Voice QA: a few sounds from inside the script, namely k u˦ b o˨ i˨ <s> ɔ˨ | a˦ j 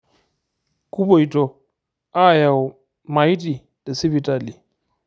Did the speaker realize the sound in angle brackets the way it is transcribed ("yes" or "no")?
no